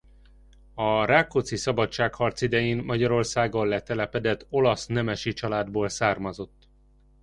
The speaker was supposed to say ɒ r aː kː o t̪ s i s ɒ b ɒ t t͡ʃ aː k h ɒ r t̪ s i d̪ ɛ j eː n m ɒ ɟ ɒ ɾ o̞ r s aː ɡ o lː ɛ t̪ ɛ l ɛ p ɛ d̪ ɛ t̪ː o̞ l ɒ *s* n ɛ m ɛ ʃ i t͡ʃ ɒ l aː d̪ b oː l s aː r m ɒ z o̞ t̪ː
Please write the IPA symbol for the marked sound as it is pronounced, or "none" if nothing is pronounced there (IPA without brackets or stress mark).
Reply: s